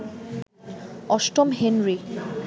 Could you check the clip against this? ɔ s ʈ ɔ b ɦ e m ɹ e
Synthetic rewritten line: ɔ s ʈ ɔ m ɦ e n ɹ i